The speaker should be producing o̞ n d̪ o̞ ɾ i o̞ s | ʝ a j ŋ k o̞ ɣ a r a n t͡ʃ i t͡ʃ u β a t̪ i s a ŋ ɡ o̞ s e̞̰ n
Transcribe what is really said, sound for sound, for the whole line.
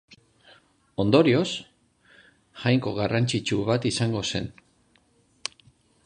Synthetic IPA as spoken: o̞ n d̪ o̞ ɾ i o̞ s | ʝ a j ŋ k o̞ ɣ a r a n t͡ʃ i t͡ʃ u β a t̪ i s a ŋ ɡ o̞ s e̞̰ n